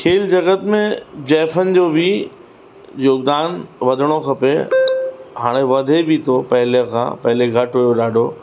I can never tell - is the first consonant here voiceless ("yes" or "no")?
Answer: yes